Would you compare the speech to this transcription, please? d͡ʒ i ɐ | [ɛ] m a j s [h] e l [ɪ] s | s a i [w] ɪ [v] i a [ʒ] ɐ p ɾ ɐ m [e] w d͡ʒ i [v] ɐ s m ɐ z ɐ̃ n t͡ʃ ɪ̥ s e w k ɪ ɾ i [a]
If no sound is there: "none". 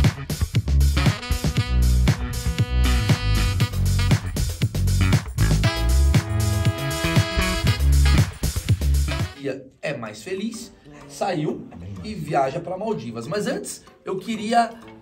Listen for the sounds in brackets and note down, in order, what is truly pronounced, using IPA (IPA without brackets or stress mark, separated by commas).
ɛ, f, i, w, v, ʒ, a, v, ɐ